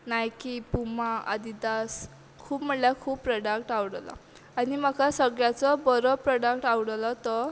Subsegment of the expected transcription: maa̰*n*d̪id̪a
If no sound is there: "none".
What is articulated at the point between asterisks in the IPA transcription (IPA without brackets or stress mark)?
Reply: none